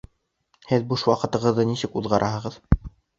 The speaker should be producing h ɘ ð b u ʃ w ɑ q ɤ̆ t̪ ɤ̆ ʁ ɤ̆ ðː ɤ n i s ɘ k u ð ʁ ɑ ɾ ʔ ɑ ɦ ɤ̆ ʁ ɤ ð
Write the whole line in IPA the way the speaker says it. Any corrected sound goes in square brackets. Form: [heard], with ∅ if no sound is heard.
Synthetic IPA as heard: h ɘ ð b u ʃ w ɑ q ɤ̆ t̪ ɤ̆ ʁ ɤ̆ ðː ɤ n i s ɘ k u ð ʁ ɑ ɾ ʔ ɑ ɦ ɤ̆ ʁ ɤ ð